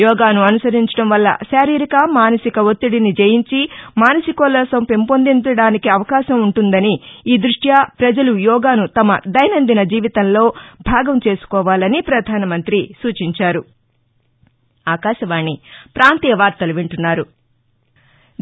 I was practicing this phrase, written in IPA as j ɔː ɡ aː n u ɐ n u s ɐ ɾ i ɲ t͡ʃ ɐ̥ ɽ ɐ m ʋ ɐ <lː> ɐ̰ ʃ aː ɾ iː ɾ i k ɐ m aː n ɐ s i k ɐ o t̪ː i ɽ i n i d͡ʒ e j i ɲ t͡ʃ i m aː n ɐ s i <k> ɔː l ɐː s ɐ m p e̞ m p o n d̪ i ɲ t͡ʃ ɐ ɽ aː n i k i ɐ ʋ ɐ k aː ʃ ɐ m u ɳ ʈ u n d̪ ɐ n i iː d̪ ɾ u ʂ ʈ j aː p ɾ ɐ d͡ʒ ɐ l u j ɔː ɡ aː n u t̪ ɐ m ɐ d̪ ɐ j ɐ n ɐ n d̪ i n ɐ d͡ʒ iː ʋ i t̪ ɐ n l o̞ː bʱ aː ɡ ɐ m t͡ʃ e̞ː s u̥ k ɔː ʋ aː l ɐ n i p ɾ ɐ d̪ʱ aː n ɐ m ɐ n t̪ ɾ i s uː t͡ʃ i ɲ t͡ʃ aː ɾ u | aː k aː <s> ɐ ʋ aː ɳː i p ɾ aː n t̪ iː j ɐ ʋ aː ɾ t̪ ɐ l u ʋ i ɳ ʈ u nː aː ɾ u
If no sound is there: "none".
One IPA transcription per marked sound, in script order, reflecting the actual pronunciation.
lː, k, ʃ

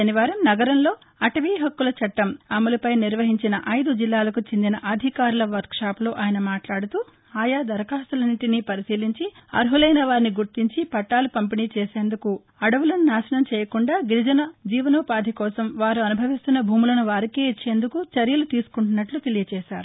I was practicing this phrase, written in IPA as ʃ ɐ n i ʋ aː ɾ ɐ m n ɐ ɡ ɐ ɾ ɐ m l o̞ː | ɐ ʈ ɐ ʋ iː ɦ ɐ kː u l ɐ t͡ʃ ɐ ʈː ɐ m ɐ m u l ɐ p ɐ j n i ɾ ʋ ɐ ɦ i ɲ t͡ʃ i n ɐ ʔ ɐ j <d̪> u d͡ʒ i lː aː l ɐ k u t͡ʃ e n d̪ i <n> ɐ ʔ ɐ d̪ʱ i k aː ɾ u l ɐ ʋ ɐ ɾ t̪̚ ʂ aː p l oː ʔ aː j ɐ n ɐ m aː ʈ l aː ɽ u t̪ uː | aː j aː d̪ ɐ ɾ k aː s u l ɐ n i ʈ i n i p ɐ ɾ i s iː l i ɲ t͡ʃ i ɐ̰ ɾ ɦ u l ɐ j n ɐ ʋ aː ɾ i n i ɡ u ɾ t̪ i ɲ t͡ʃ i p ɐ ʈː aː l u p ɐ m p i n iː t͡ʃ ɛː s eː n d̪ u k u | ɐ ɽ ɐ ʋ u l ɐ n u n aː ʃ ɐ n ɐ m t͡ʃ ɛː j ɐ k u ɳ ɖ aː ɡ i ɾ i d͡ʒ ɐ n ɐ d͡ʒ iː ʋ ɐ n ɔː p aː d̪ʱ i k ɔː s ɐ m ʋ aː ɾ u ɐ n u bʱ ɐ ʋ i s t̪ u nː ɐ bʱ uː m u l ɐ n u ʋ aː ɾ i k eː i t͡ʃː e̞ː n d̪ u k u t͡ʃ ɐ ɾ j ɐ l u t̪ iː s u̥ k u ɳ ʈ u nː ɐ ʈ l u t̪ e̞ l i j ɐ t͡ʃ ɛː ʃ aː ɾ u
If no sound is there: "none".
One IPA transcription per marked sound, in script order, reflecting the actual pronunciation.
d̪, n

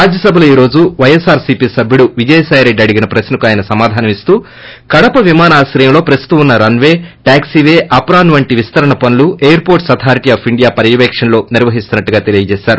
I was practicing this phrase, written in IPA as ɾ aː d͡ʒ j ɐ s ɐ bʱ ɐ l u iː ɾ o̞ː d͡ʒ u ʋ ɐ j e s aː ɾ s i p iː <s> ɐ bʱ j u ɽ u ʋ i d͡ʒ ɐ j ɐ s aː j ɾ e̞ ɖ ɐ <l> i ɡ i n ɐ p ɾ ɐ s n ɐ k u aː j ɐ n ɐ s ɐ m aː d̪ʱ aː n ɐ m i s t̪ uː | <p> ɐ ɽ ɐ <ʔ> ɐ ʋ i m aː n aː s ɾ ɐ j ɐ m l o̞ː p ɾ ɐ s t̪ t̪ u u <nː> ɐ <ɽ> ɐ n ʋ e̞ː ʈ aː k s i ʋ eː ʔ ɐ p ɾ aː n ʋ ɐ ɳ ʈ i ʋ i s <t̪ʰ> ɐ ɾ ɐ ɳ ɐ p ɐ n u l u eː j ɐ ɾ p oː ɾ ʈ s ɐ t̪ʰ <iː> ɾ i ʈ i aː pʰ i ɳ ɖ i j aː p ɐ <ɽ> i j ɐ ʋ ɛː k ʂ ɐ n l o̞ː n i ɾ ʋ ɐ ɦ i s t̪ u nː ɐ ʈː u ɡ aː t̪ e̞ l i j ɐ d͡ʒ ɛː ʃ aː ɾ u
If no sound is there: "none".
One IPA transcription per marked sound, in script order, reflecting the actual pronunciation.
s, ɽ, k, p, nː, ɾ, t̪, aː, ɾ

